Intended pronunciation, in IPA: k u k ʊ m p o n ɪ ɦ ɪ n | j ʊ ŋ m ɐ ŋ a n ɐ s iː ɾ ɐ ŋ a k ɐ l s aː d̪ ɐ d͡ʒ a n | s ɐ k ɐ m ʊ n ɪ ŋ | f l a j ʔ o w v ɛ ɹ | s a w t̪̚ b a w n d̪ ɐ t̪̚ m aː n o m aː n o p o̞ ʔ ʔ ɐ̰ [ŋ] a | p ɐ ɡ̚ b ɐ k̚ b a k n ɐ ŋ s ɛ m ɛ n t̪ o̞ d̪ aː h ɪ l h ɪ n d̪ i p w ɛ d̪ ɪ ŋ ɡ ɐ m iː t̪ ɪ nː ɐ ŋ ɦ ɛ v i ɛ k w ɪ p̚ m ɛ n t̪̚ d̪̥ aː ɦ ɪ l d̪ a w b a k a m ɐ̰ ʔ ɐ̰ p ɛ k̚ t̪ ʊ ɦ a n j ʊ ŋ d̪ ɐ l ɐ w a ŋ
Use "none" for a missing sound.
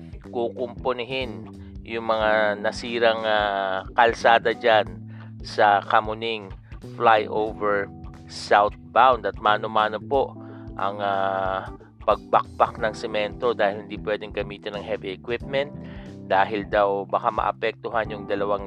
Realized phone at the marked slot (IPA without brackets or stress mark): ŋ